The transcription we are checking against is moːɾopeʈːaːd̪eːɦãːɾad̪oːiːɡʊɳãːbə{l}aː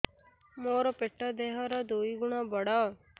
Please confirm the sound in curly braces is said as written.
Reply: no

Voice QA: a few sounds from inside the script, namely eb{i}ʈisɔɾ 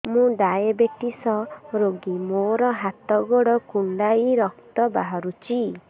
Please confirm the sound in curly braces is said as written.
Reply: no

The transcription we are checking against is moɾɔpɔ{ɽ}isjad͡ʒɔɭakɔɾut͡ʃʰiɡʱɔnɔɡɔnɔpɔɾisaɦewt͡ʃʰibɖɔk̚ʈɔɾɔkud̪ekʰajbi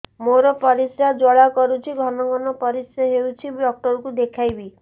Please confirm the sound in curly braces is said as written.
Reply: no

